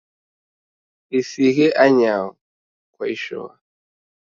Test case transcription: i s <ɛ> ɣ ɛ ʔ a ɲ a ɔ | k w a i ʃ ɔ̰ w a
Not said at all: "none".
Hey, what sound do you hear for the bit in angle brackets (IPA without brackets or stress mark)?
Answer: i